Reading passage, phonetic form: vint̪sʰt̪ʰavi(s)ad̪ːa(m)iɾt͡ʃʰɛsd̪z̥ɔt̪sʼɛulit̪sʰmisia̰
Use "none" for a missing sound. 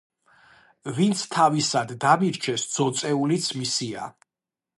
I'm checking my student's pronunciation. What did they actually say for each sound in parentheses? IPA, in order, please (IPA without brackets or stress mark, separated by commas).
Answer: s, m